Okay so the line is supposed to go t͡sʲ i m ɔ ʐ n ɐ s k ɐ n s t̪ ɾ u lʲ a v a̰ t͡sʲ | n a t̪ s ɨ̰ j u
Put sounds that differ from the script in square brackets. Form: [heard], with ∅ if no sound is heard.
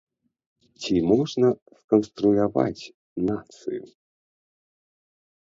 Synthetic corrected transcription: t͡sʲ i m ɔ ʐ n ɐ s k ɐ n s t̪ ɾ u lʲ a v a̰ t͡sʲ | n a t̪ s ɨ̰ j u